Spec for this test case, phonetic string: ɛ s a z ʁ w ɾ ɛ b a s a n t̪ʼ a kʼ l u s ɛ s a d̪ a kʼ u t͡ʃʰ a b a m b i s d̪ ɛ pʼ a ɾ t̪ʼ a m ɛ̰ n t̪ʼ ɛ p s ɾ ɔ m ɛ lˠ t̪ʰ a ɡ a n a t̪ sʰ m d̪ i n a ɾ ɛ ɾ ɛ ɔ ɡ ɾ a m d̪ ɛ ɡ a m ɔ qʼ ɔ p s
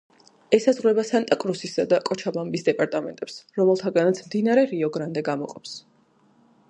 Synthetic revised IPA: ɛ s a z ʁ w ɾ ɛ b a s a n t̪ʼ a kʼ ɾ u s i s a d̪ a kʼ ɔ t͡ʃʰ a b a m b i s d̪ ɛ pʼ a ɾ t̪ʼ a m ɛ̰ n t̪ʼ ɛ p s ɾ ɔ m ɛ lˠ t̪ʰ a ɡ a n a t̪ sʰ m d̪ i n a ɾ ɛ ɾ i ɔ ɡ ɾ a n d̪ ɛ ɡ a m ɔ qʼ ɔ p s